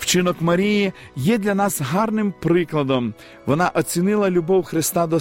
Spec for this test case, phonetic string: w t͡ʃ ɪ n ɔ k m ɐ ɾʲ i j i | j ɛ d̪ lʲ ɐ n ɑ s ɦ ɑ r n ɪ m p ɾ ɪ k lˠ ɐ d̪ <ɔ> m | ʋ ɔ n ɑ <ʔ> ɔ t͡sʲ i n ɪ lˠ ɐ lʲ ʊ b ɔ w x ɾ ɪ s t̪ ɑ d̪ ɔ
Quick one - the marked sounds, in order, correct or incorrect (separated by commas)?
correct, correct